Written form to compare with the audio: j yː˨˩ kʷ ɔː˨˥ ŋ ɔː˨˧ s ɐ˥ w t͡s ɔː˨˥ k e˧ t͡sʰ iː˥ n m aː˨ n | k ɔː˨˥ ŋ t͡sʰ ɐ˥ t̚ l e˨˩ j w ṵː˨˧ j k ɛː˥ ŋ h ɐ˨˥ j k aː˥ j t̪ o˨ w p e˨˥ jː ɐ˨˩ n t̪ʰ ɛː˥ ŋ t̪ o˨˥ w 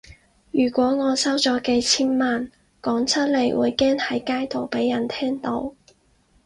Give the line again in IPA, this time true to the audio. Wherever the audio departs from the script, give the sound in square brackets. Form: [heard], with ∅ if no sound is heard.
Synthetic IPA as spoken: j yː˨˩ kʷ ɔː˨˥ ŋ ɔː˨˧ s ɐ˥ w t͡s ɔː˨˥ k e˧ t͡sʰ iː˥ n m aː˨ n | k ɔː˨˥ ŋ t͡sʰ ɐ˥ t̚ l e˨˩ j w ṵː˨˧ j k ɛː˥ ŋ h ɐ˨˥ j k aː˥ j t̪ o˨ w p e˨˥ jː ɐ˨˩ n t̪ʰ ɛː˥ ŋ t̪ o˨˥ w